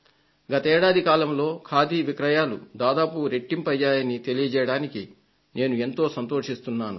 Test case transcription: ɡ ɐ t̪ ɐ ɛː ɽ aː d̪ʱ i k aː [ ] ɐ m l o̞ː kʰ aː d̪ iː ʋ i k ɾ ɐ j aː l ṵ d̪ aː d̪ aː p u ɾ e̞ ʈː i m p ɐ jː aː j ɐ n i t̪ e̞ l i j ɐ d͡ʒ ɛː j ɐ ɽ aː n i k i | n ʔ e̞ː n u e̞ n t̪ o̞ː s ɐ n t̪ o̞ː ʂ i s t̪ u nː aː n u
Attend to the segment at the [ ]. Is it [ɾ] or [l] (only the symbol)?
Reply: l